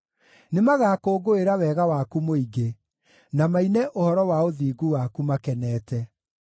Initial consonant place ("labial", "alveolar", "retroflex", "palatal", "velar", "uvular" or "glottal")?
alveolar